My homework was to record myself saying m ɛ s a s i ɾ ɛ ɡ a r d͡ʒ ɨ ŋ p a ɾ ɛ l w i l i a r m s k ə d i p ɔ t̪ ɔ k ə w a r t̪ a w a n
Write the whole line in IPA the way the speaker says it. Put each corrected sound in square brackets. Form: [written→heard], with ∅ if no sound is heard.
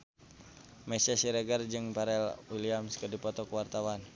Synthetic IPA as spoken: m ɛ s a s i ɾ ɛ ɡ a r d͡ʒ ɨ ŋ p a ɾ ɛ l w i l i a [r→∅] m s k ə d i p ɔ t̪ ɔ k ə w a r t̪ a w a n